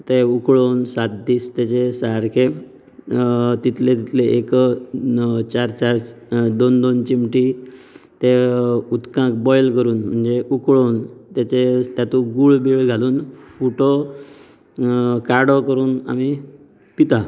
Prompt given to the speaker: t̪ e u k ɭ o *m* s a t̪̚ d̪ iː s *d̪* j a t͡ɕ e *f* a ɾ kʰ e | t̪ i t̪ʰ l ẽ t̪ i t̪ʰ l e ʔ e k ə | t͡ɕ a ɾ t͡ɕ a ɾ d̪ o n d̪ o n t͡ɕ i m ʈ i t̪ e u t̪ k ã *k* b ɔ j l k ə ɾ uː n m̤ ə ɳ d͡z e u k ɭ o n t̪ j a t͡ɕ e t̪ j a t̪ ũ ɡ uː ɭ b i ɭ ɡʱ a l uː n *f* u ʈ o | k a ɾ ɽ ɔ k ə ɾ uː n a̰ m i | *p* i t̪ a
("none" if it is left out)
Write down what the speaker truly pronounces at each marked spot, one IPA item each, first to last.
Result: n, t̪, s, k, f, p

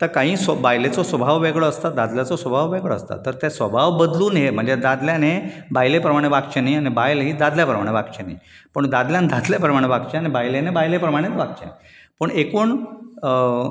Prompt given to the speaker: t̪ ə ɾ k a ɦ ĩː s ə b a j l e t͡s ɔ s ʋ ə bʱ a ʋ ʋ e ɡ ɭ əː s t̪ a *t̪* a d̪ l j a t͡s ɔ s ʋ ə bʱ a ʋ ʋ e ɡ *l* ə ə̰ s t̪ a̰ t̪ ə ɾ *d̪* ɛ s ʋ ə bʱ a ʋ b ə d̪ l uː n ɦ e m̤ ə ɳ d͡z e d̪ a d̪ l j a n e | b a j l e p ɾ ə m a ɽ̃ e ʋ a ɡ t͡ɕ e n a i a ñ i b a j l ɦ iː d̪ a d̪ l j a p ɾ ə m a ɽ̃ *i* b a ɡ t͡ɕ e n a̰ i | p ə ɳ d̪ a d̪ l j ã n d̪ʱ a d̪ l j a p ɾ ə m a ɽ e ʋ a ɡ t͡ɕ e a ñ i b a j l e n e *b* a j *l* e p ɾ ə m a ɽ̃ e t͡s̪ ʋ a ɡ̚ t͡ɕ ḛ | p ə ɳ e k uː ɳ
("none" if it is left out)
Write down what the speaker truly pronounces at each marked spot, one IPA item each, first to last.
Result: d̪, ɭ, t̪, e, b, l

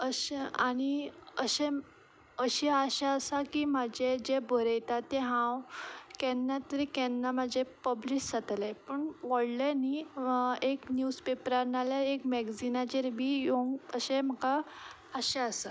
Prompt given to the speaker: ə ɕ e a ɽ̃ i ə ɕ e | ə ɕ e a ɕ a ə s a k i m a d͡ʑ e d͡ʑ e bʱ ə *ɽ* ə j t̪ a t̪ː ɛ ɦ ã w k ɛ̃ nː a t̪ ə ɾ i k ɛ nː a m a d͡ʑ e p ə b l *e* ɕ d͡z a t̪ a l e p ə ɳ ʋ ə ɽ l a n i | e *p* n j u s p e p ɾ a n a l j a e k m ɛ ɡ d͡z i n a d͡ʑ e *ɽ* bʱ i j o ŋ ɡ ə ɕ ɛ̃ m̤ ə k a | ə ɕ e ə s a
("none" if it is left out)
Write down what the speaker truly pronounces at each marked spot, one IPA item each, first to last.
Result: ɾ, i, k, ɾ

